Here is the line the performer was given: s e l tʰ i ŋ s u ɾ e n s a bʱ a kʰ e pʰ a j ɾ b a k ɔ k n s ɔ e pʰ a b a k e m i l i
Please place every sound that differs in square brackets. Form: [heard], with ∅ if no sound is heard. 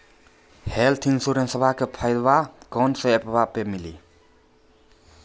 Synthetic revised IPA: [h] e l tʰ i ŋ s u ɾ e n s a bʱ a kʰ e pʰ a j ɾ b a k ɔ [∅] n s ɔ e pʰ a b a [p] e m i l i